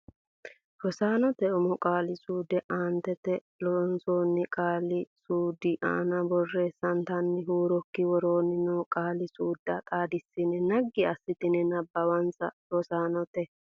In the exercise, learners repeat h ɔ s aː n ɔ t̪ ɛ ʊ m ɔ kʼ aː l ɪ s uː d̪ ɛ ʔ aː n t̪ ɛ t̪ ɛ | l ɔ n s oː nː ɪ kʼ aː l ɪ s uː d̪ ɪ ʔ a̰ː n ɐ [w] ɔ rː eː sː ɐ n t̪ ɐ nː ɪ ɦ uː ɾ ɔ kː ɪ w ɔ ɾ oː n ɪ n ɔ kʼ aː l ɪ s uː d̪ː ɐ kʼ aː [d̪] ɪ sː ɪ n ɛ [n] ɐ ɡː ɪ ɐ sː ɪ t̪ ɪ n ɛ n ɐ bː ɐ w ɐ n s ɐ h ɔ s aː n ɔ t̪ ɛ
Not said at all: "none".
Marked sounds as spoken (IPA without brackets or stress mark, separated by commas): b, d̪, n